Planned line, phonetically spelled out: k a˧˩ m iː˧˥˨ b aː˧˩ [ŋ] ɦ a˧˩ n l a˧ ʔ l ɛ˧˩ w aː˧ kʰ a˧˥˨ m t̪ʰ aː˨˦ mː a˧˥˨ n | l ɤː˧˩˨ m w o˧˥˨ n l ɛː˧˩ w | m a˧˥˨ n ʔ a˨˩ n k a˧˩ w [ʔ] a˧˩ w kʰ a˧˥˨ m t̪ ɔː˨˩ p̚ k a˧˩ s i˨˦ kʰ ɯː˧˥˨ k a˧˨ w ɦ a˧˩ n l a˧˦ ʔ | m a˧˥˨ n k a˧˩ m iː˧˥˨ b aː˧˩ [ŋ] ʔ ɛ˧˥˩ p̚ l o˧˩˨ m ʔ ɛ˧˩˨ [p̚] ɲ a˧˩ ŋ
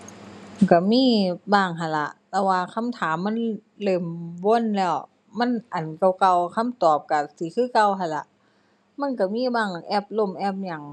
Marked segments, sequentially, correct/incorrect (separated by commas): correct, incorrect, correct, correct